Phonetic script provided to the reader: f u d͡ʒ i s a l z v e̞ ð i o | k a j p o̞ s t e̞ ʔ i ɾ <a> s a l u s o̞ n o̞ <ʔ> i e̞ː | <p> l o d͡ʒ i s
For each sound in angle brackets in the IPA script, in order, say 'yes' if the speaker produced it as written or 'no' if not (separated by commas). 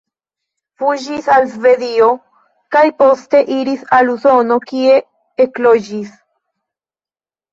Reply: no, no, no